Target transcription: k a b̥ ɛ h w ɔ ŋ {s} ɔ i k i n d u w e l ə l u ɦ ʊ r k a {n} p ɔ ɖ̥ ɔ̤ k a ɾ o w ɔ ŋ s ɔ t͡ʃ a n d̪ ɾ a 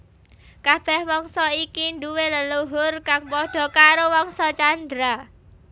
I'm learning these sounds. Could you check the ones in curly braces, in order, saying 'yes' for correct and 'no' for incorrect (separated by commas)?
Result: yes, no